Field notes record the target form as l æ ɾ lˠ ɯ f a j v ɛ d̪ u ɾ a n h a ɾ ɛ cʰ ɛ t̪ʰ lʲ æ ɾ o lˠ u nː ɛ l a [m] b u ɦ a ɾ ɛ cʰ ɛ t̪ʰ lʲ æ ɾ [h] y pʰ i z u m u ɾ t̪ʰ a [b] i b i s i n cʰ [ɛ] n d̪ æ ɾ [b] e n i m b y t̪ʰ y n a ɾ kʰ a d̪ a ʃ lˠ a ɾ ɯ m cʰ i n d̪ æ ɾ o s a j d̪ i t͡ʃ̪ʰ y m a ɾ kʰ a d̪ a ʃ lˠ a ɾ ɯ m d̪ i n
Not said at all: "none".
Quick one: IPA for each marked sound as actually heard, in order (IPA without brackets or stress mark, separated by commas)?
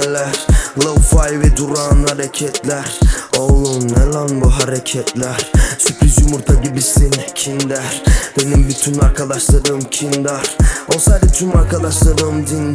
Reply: n, s, ɟ, i, b